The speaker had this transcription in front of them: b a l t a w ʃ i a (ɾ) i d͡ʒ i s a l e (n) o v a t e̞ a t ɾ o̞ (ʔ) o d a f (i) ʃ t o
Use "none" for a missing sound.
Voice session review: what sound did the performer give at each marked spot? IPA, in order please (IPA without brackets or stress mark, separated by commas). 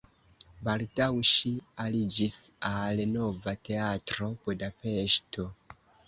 l, n, p, e